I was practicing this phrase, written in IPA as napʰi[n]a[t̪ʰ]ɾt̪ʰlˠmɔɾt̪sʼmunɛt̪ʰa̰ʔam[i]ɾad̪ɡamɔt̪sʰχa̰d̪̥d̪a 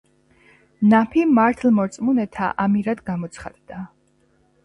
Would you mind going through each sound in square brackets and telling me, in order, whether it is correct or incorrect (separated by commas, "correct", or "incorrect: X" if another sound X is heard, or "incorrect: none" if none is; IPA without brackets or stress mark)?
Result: incorrect: m, incorrect: none, correct